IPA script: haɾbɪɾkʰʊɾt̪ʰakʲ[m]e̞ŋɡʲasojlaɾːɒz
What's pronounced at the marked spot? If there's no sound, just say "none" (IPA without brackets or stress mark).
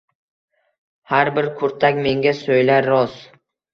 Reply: m